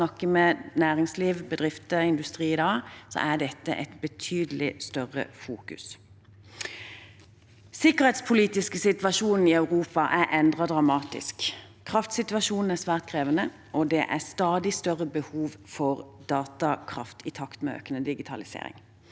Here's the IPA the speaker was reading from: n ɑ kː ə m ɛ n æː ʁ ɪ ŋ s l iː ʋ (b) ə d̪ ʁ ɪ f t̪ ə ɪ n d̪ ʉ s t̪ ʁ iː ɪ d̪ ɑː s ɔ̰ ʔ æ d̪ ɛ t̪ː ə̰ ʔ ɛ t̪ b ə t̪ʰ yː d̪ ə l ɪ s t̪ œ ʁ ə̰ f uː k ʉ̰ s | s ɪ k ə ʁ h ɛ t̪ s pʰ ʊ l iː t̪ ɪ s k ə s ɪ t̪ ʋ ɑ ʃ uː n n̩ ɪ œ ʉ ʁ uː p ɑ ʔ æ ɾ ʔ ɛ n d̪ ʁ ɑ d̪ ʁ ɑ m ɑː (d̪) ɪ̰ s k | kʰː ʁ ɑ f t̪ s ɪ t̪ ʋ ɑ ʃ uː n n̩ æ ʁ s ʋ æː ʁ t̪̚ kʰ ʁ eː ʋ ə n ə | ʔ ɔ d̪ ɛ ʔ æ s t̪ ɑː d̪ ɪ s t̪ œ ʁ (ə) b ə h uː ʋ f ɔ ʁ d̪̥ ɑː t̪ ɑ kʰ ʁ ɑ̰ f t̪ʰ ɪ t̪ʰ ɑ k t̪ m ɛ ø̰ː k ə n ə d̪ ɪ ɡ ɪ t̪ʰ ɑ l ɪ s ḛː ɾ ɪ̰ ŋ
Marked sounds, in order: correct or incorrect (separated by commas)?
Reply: correct, incorrect, correct